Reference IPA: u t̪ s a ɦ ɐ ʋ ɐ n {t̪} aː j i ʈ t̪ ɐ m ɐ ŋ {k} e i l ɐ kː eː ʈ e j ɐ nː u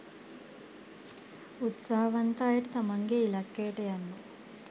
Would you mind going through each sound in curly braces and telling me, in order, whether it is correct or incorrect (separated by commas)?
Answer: correct, incorrect